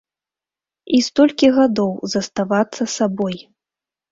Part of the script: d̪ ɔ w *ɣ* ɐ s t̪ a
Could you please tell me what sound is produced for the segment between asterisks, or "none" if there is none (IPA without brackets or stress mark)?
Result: z